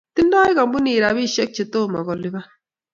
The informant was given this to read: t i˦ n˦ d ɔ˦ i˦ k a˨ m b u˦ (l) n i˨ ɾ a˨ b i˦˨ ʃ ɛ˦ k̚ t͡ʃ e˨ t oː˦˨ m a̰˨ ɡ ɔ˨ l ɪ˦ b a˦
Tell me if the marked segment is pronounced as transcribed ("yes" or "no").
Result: no